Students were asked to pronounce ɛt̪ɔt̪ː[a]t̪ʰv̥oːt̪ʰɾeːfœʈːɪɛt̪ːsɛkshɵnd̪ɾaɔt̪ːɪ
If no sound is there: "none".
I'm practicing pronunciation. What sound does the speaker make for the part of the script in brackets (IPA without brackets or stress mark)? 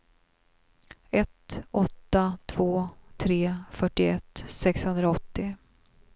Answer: a